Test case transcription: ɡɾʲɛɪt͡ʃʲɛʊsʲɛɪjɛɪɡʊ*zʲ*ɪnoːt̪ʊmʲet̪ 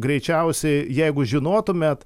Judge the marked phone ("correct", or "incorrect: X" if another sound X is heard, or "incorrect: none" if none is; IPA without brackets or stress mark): incorrect: ʒʲ